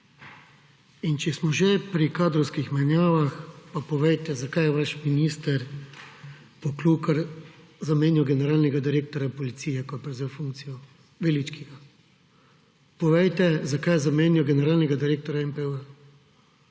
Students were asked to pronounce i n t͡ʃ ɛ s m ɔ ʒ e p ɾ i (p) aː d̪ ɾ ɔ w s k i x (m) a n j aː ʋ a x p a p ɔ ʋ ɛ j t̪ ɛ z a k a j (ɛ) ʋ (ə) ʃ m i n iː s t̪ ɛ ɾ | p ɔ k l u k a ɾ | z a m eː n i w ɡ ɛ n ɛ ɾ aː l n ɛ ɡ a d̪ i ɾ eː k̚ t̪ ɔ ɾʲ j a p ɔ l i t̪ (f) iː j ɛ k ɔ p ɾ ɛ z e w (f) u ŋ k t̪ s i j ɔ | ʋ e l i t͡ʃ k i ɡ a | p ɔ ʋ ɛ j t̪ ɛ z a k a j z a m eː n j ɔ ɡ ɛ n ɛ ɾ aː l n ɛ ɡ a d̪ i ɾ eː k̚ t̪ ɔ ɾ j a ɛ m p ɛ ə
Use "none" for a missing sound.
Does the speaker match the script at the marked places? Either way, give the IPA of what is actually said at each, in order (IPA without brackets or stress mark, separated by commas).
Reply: k, m, ɛ, a, s, f